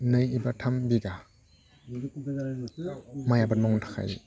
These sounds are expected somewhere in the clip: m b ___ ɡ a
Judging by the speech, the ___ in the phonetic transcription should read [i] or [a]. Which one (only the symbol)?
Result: i